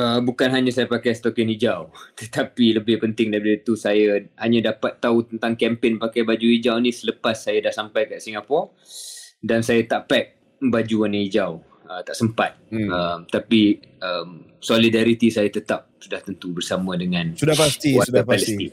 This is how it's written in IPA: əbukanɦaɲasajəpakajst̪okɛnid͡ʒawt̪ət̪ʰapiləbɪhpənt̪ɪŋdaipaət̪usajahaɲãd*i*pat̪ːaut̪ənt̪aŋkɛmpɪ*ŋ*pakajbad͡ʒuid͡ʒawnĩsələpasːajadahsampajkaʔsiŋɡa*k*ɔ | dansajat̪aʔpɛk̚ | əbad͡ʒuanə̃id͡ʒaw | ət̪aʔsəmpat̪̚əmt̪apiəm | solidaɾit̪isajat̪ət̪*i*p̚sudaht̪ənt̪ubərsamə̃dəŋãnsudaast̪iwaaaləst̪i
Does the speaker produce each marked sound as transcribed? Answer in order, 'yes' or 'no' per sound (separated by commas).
no, no, no, no